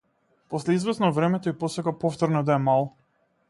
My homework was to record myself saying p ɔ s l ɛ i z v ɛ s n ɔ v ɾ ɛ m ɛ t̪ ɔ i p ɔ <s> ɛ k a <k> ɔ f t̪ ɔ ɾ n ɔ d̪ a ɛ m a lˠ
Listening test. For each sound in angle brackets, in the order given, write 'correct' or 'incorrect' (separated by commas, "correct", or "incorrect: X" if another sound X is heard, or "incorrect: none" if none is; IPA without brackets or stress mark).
correct, incorrect: p